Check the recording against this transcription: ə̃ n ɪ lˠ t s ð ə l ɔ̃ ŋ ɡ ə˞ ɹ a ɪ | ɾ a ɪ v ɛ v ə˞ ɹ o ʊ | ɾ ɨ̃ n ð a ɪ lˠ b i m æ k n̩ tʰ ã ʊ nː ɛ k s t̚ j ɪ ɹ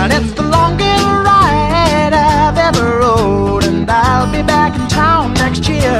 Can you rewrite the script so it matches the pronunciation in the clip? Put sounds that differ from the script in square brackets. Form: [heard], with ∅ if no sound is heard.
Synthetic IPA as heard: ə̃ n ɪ [∅] t s ð ə l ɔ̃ ŋ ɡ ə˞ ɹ a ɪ | ɾ a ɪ v ɛ v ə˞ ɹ o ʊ | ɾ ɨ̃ n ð a ɪ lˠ b i [b] æ k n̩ tʰ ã [ʊ̃] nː ɛ k s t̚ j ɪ ɹ

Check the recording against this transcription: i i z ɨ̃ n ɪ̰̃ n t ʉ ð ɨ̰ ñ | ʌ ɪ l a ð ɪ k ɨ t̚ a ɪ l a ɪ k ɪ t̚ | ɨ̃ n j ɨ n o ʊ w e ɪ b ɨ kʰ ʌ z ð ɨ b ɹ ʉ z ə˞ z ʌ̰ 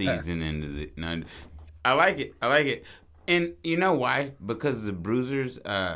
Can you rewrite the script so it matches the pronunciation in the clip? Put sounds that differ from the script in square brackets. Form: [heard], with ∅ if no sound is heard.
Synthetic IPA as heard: i i z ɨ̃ n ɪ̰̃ n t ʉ ð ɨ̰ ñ | [a] ɪ l a [∅] ɪ k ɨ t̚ a ɪ l a ɪ k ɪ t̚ | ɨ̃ n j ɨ n o ʊ w [a] ɪ b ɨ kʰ ʌ z ð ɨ b ɹ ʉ z ə˞ z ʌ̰

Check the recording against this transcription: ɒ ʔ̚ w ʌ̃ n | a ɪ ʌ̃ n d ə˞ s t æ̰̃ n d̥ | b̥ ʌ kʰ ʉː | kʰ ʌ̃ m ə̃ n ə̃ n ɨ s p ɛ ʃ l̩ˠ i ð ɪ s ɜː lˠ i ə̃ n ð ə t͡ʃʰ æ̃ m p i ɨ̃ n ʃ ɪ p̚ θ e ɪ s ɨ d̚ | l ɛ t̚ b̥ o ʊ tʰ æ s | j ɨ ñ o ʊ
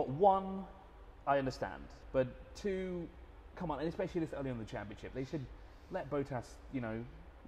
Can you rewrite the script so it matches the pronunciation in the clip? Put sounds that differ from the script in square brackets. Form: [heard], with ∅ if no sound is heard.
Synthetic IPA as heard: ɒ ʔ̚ w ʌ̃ n | a ɪ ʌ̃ n d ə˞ s t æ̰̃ n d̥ | b̥ ʌ [tʰ] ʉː | kʰ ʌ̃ m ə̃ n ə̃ n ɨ s p ɛ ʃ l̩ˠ i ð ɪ s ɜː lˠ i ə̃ n ð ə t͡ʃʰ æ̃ m p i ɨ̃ n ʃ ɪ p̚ [ð] e ɪ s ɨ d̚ | l ɛ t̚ b̥ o ʊ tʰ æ s | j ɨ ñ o ʊ

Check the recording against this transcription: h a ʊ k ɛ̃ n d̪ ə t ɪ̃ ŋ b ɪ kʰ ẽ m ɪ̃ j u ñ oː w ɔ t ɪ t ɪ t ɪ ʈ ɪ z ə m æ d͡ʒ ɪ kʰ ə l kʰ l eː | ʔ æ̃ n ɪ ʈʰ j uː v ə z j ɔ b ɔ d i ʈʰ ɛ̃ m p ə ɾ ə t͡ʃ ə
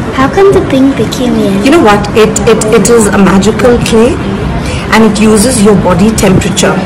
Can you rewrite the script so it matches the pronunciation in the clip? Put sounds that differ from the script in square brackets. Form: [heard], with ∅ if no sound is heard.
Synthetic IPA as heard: h a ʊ k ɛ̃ n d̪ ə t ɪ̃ ŋ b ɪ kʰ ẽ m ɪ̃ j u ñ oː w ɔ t ɪ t ɪ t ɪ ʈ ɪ z ə m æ d͡ʒ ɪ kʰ ə l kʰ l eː | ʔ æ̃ n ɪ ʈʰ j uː [z] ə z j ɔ b ɔ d i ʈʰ ɛ̃ m p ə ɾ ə t͡ʃ ə

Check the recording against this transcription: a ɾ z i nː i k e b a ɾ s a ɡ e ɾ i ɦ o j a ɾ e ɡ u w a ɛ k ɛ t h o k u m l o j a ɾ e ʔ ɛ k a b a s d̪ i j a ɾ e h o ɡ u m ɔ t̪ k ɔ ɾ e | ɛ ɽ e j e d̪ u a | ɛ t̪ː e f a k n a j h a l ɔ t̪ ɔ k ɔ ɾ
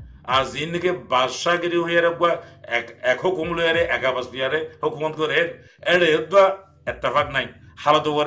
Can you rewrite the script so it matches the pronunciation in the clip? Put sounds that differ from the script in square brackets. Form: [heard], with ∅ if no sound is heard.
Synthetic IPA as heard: a ɾ z i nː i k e b a ɾ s a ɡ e ɾ i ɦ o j a ɾ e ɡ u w a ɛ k ɛ [k] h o k u m l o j a ɾ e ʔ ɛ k a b a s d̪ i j a ɾ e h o [k] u m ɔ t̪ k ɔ ɾ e | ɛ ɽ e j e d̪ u a | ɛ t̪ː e f a k n a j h a l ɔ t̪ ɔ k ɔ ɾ

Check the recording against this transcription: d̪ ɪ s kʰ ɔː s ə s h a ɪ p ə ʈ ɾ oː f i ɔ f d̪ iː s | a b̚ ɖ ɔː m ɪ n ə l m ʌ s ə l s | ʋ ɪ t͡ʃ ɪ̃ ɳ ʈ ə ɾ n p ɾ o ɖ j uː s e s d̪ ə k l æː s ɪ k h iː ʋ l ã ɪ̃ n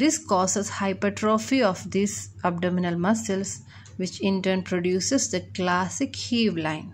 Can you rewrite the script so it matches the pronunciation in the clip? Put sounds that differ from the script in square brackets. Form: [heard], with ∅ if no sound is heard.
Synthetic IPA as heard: d̪ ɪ s [k] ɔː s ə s h a ɪ p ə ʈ ɾ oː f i ɔ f d̪ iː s | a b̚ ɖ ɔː m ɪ n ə l m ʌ s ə l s | ʋ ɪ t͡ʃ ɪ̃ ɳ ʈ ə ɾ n p ɾ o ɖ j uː s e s d̪ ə k l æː s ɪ k h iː ʋ l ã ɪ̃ n

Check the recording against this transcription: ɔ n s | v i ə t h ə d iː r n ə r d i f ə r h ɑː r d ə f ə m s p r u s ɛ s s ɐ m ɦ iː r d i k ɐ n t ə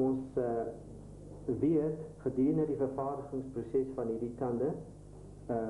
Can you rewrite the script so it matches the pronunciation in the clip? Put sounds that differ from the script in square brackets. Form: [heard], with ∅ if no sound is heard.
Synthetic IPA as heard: ɔ n s | v i ə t [χ] ə d iː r n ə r d i f ə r [f] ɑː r d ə [χ] ə [ŋ] s p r u s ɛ s [f] ɐ [n] ɦ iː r d i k ɐ n [d] ə

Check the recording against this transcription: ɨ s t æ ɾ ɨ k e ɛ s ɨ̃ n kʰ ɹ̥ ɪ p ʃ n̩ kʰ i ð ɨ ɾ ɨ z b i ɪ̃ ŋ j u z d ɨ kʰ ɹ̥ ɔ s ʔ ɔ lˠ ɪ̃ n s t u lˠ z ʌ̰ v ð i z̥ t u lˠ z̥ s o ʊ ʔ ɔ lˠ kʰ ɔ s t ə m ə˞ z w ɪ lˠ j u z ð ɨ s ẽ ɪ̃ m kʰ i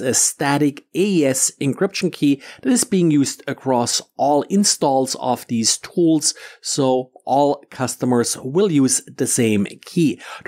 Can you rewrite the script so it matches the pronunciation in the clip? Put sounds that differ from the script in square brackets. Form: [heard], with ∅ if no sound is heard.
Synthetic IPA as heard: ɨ s t æ ɾ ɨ k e ɛ s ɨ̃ n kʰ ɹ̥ ɪ p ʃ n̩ kʰ i ð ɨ ɾ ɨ z b i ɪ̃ ŋ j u z d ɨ kʰ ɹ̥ ɔ s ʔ ɔ lˠ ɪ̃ n s t [ɔ] lˠ z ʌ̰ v ð i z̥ [tʰ] u lˠ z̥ s o ʊ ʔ ɔ lˠ kʰ [ʌ] s t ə m ə˞ z w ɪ lˠ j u z ð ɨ s ẽ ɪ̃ m kʰ i

